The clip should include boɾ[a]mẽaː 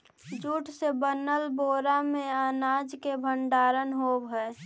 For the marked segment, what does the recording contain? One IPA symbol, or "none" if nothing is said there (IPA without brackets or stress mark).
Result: a